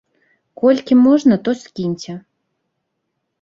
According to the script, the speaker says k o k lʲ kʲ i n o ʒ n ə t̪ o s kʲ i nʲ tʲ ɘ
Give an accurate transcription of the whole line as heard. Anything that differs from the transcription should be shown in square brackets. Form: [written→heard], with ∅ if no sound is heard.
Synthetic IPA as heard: k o [k→∅] lʲ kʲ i [n→m] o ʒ n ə t̪ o s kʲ i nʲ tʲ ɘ